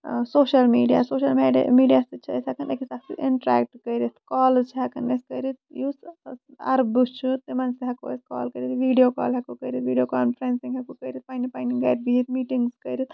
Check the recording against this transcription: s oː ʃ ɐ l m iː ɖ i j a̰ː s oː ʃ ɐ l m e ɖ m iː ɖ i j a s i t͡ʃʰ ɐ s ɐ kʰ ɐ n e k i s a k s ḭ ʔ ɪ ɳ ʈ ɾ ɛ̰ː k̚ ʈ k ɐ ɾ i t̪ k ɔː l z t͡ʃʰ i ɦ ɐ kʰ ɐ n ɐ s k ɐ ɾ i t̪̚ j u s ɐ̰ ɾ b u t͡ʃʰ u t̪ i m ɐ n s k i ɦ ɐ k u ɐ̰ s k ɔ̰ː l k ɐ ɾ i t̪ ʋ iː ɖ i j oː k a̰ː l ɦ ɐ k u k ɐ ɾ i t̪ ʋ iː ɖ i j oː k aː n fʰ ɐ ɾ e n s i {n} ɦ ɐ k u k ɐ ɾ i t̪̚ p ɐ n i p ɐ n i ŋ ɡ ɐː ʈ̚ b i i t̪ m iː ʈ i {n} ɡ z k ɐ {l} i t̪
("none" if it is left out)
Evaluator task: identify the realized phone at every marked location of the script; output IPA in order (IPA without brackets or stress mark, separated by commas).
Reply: ŋ, ŋ, ɾ